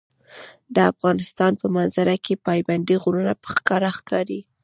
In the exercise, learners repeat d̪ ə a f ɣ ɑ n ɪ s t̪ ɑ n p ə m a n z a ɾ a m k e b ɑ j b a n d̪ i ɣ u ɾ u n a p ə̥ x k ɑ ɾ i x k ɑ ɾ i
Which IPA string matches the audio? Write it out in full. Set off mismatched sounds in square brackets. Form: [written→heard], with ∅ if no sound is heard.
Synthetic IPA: d̪ ə a f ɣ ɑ n ɪ s t̪ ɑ n p ə m a n z a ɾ a [m→∅] k e [b→p] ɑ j b a n d̪ i ɣ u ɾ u n a p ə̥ x k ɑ ɾ [i→a] x k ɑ ɾ i

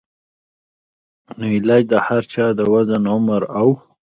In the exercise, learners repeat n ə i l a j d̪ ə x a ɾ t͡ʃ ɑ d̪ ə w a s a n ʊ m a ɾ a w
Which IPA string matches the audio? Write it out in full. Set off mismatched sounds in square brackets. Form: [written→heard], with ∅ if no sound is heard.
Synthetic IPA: n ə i l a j d̪ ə [x→h] a ɾ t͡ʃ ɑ d̪ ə w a [s→z] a n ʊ m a ɾ a w

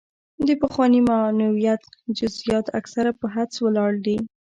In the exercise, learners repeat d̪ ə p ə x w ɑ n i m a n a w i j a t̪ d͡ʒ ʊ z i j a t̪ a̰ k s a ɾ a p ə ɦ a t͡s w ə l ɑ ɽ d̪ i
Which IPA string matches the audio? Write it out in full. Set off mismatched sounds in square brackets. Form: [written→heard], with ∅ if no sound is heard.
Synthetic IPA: d̪ ə p ə x w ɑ n i m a n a w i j a t̪ d͡ʒ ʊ z i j [a→ɑ] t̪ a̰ k s a ɾ a p ə ɦ a t͡s w ə l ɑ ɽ d̪ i

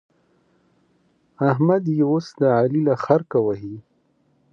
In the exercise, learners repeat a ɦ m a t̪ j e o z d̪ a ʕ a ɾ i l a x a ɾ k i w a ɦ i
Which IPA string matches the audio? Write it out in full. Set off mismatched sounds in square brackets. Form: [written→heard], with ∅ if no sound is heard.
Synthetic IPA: a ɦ m a [t̪→d̪] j e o [z→s] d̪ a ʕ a [ɾ→l] i l a x a ɾ k [i→a] w a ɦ i

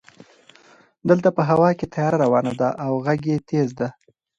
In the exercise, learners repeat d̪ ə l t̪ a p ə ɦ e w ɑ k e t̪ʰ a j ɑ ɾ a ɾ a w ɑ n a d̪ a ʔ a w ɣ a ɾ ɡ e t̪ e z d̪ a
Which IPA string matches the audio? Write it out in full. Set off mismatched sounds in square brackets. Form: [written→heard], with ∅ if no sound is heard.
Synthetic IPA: d̪ ə l t̪ a p ə ɦ [e→a] w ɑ k e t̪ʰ a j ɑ ɾ a ɾ a w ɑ n a d̪ a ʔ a w ɣ a [ɾ→∅] ɡ e t̪ e z d̪ a

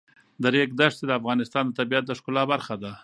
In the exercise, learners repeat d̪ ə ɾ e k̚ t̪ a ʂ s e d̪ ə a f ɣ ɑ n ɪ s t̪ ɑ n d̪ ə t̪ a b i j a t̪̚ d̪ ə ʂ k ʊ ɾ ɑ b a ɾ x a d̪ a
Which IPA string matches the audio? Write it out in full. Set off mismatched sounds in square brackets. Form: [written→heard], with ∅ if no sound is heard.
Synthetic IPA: d̪ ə ɾ e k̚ [t̪→d̪] a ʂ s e d̪ ə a f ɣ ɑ n ɪ s t̪ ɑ n d̪ ə t̪ a b i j a t̪̚ d̪ ə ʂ k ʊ [ɾ→l] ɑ b a ɾ x a d̪ a

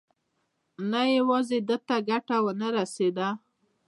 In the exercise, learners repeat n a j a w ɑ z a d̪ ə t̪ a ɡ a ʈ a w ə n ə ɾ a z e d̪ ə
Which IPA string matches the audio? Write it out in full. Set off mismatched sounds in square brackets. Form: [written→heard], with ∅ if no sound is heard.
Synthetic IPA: n a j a w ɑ z [a→e] d̪ ə t̪ a ɡ a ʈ a w ə n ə ɾ a [z→s] e d̪ [ə→a]

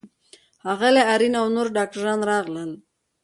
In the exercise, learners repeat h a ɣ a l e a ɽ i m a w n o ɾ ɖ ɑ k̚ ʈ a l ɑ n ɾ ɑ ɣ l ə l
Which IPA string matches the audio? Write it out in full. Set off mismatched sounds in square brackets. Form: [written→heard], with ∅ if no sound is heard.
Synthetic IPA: h a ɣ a l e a [ɽ→ɾ] i [m→n] a w n o ɾ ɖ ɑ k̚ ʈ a [l→ɾ] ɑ n ɾ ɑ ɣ l ə l

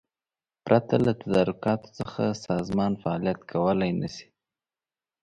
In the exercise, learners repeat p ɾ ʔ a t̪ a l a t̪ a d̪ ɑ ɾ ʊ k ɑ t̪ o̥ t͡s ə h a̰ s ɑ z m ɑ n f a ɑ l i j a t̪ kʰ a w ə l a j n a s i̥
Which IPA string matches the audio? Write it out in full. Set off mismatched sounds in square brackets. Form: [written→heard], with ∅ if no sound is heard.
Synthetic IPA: p ɾ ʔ a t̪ a l a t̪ a d̪ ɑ ɾ ʊ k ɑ t̪ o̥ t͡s ə [h→x] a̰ s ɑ z m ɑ n f a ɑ l i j a t̪ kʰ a w ə l a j n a s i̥

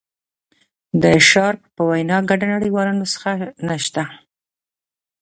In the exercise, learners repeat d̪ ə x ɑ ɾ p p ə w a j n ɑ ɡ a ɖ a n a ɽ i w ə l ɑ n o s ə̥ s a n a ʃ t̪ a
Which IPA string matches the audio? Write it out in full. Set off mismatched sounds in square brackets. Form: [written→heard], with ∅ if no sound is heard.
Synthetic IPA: d̪ ə [x→ʃ] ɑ ɾ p p ə w a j n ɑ ɡ a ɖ a n a ɽ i w [ə→ɑ] l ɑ n o s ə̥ [s→x] a n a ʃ t̪ a

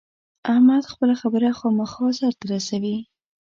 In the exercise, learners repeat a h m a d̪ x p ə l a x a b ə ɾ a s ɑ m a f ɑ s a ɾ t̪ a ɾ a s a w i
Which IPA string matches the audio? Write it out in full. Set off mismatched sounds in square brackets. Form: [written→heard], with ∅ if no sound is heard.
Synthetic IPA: a h m a d̪ x p ə l a x a b ə ɾ a [s→x] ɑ m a [f→x] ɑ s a ɾ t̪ a ɾ a s a w i

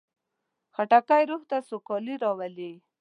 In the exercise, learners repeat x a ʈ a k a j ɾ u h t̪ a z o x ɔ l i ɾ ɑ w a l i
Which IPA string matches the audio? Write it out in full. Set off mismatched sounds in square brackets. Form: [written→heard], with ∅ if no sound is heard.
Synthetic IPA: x a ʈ a k a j ɾ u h t̪ a [z→s] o [x→k] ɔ l i ɾ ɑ w a l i

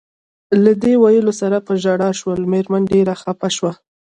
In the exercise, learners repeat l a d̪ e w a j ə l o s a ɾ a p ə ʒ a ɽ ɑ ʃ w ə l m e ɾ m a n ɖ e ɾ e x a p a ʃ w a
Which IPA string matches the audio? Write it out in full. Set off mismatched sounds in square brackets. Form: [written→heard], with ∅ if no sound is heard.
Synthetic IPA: l a d̪ e w a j ə l o s a ɾ a p ə ʒ a ɽ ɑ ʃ w ə l m e ɾ m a n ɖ e ɾ [e→a] x a p a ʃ w a

